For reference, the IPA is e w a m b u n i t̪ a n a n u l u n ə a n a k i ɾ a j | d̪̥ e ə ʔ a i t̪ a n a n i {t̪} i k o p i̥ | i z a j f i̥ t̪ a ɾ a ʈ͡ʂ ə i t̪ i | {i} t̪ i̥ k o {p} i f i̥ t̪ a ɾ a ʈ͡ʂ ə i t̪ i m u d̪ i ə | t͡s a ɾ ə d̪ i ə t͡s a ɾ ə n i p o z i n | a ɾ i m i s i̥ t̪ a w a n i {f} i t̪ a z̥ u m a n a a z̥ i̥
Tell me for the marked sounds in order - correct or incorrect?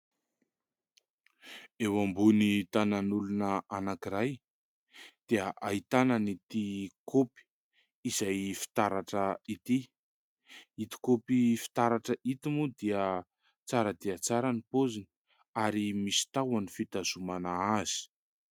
correct, correct, correct, correct

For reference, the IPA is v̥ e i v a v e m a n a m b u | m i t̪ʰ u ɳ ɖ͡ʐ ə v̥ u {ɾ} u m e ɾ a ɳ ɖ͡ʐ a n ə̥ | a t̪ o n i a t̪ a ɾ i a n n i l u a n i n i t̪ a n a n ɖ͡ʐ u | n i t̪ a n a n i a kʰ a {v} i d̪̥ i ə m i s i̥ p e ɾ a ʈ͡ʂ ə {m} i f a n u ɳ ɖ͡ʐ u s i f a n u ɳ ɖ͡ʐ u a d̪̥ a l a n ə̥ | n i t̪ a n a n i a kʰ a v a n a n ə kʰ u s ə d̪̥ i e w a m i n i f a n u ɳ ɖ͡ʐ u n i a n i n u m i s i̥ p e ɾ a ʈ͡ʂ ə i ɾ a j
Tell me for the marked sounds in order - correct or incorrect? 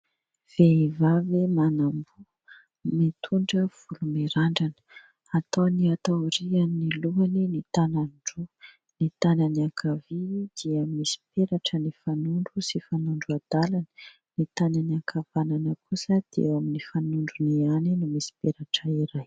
incorrect, correct, incorrect

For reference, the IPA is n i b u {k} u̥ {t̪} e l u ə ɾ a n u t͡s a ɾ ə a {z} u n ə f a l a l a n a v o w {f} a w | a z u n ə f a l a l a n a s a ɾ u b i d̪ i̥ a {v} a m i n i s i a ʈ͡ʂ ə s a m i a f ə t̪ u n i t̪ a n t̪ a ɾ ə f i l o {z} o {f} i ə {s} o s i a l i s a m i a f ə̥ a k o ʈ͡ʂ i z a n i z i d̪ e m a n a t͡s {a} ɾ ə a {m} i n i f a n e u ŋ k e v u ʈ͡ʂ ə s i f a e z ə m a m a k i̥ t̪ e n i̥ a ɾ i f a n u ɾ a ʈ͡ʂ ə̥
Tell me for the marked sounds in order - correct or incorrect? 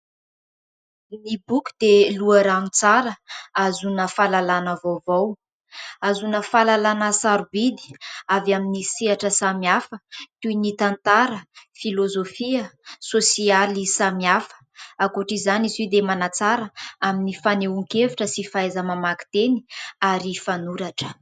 correct, incorrect, correct, incorrect, correct, correct, correct, correct, correct, correct

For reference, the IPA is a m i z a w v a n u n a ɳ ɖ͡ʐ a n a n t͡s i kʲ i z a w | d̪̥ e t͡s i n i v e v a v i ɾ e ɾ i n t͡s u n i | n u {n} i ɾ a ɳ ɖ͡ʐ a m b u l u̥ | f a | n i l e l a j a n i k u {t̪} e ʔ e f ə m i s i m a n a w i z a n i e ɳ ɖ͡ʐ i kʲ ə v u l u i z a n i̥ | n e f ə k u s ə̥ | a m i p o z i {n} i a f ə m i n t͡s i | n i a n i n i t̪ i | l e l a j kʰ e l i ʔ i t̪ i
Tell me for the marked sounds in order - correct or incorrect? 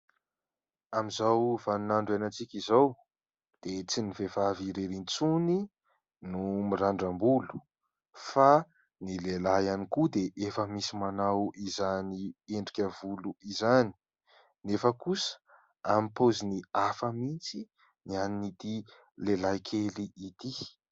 incorrect, incorrect, correct

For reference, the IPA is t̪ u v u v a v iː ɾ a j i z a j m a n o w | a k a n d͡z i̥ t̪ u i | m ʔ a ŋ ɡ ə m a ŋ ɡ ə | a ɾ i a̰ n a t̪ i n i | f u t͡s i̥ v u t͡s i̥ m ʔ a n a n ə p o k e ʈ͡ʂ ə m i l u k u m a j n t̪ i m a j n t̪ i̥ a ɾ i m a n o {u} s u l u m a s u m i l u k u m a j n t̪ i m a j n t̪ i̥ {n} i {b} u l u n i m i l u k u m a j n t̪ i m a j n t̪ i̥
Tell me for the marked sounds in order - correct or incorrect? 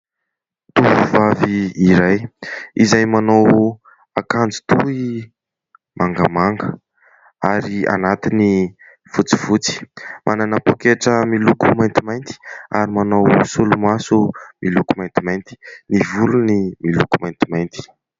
incorrect, correct, incorrect

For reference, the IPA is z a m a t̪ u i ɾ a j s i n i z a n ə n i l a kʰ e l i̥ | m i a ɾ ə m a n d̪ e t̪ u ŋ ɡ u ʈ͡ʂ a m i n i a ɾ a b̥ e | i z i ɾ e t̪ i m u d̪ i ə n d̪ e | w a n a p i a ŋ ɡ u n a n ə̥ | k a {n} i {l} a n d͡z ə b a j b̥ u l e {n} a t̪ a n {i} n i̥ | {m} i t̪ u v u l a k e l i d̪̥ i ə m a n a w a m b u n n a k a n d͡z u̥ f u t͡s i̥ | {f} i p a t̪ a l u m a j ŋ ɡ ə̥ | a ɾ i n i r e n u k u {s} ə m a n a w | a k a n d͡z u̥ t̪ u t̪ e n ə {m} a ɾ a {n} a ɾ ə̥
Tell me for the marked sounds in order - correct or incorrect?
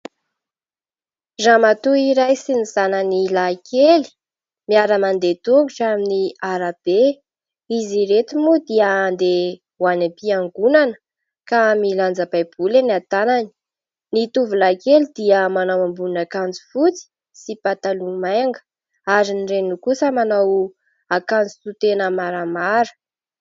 incorrect, correct, correct, incorrect, incorrect, incorrect, correct, correct, incorrect

